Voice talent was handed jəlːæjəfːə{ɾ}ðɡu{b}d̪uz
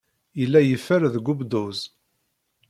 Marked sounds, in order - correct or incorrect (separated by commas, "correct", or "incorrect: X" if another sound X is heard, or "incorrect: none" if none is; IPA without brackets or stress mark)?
correct, correct